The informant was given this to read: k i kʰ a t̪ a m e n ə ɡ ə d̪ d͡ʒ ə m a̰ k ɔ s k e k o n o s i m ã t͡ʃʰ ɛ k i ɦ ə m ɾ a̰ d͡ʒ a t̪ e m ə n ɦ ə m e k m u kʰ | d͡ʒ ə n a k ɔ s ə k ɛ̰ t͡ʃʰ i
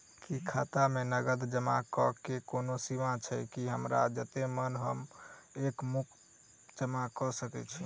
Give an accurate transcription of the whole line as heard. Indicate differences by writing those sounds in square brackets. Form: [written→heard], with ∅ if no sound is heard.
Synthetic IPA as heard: k i kʰ a t̪ a m e n ə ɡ ə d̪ d͡ʒ ə m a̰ k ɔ [s→∅] k e k o n o s i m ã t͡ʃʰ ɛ k i ɦ ə m ɾ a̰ d͡ʒ [a→ə] t̪ e m ə n ɦ ə m e k m u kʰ | d͡ʒ ə [n→m] a k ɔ s ə k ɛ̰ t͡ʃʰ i